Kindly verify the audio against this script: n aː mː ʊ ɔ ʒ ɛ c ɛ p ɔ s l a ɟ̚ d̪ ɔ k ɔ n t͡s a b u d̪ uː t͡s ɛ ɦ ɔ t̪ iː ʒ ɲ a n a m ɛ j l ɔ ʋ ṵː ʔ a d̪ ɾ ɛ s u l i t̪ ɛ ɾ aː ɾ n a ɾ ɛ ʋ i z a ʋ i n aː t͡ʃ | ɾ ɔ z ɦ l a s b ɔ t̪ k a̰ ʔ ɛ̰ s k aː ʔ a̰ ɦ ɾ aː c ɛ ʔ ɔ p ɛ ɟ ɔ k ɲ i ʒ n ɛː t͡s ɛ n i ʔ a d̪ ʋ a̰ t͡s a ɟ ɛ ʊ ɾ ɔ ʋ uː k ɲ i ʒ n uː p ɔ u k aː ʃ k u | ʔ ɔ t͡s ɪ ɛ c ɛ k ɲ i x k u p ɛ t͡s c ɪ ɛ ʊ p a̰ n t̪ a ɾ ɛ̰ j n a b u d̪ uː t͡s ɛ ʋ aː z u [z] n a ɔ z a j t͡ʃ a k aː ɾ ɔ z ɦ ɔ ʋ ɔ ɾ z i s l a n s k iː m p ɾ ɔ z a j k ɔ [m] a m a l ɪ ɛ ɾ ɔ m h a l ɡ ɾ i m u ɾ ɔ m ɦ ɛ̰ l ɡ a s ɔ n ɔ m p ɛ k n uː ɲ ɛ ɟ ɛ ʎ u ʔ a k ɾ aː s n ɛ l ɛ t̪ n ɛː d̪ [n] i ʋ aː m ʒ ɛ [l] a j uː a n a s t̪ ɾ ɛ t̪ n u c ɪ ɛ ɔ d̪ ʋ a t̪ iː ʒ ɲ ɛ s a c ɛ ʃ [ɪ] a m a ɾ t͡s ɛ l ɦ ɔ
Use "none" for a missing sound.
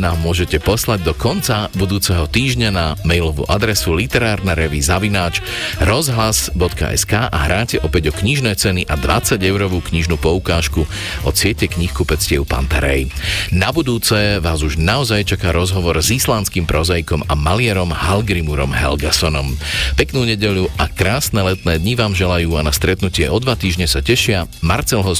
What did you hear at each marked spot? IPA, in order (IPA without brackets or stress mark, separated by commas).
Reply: ʒ, m, ɲ, l, ɪ